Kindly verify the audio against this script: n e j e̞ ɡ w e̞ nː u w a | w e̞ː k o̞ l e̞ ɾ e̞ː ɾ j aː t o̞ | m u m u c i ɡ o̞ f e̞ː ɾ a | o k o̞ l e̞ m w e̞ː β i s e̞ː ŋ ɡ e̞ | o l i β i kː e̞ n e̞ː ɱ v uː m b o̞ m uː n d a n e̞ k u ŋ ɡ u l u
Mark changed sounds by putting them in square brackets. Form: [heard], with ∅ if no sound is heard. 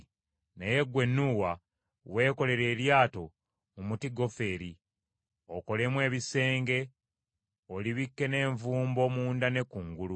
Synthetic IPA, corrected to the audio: n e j e̞ ɡ w e̞ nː u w a | w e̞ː k o̞ l e̞ ɾ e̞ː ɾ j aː t o̞ | m u m u [t] i ɡ o̞ f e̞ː ɾ [i] | o k o̞ l e̞ m w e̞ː β i s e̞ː ŋ ɡ e̞ | o l i β i kː e̞ n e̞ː ɱ v uː m b o̞ m uː n d a n e̞ k u ŋ ɡ u l u

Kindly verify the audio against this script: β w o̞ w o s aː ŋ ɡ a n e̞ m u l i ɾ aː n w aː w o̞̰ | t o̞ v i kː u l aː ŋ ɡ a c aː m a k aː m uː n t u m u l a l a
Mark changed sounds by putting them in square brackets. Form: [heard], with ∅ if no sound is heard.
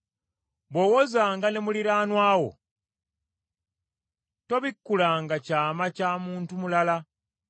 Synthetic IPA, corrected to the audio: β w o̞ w o [z] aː ŋ ɡ a n e̞ m u l i ɾ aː n w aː w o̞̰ | t o̞ [β] i kː u l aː ŋ ɡ a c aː m a [c] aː m uː n t u m u l a l a

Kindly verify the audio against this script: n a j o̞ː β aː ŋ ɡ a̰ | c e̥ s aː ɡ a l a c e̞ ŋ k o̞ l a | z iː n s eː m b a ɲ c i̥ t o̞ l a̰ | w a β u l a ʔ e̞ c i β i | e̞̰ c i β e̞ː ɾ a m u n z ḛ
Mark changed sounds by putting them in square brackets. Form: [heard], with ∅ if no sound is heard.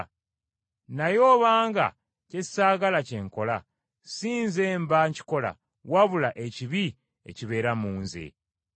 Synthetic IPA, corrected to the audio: n a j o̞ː β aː ŋ ɡ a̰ | c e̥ s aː ɡ a l a c e̞ ŋ k o̞ l a | [s] iː n [z] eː m b a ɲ c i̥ [k] o̞ l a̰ | w a β u l a ʔ e̞ c i β i | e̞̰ c i β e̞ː ɾ a m [uː] n z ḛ

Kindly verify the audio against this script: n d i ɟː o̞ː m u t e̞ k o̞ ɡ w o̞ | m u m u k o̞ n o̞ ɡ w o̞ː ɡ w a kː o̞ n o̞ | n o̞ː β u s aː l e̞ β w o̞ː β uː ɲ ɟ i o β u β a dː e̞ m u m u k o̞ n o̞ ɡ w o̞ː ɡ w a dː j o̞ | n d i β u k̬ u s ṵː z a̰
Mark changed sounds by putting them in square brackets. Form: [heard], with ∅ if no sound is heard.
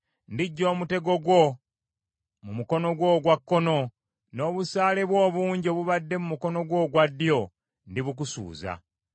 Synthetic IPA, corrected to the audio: n d i ɟː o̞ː m u t e̞ [ɡ] o̞ ɡ w o̞ | m u m u k o̞ n o̞ ɡ w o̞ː ɡ w a kː o̞ n o̞ | n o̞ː β u s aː l e̞ β w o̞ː β uː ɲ ɟ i o β u β a dː e̞ m u m u k o̞ n o̞ ɡ w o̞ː ɡ w a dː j o̞ | n d i β u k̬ u s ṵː z a̰

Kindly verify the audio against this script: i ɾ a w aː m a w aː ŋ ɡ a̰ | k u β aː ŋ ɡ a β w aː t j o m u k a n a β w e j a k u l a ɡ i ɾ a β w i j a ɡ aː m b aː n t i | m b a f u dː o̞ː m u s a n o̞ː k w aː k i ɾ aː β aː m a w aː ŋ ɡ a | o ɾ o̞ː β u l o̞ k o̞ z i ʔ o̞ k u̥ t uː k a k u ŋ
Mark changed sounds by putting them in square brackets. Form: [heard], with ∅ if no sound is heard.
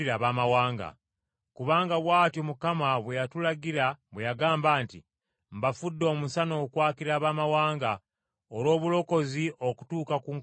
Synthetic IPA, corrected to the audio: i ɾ a [β] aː m a w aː ŋ ɡ a̰ | k u β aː ŋ ɡ a β w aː t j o m u k a [m] a β w e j a [t] u l a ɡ i ɾ a β w [e] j a ɡ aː m b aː n t i | m b a f u dː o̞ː m u s a n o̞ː k w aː k i ɾ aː β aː m a w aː ŋ ɡ a | o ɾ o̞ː β u l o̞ k o̞ z i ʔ o̞ k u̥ t uː k a k u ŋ

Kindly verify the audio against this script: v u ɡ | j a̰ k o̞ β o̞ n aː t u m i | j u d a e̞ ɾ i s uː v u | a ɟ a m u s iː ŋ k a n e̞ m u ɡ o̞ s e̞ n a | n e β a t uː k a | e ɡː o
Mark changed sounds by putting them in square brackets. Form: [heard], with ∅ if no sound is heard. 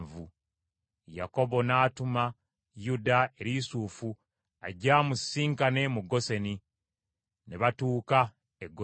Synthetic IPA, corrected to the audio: v u [∅] | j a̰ k o̞ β o̞ n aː t u m [a] | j u d a e̞ ɾ i s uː [f] u | a ɟ a m u s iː ŋ k a n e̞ m u ɡ o̞ s e̞ n [i] | n e β a t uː k a | e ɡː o

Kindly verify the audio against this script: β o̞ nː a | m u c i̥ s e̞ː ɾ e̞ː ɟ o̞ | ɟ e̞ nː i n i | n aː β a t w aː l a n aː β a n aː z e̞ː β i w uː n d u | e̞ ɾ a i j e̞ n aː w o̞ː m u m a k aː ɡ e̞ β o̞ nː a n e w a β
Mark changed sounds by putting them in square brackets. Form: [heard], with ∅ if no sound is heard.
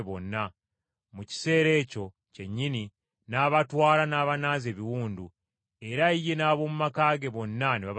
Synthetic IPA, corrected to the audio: β o̞ nː a | m u c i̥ s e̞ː ɾ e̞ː [c] o̞ | [c] e̞ [ɲː] i n i | n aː β a t w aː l a n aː β a n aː z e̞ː β i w uː n d u | e̞ ɾ a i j e̞ n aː [β] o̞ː m u m a k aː ɡ e̞ β o̞ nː a n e [β] a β

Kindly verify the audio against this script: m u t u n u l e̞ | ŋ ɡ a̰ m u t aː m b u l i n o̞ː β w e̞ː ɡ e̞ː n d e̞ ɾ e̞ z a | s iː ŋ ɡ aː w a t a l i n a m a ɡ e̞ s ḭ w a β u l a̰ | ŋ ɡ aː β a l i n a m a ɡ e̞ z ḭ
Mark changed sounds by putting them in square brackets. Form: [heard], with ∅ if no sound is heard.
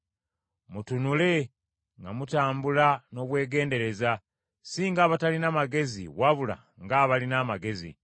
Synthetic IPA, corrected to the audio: m u t u n u l e̞ | ŋ ɡ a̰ m u t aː m b u l [a] n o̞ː β w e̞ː ɡ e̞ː n d e̞ ɾ e̞ z a | s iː ŋ ɡ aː [β] a t a l i n a m a ɡ e̞ [z] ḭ w a β u l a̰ | ŋ ɡ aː β a l i n a m a ɡ e̞ z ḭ

